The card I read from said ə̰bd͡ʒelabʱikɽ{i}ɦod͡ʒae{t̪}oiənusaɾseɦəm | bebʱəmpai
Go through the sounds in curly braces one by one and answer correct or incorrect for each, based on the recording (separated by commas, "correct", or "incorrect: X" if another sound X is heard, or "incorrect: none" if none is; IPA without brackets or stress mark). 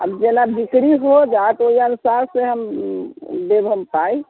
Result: correct, correct